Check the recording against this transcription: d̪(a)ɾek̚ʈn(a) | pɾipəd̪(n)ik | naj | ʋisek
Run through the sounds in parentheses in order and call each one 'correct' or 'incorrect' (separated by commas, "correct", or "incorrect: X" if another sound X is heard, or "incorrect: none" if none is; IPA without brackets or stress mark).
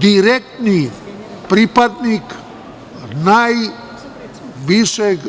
incorrect: i, incorrect: i, correct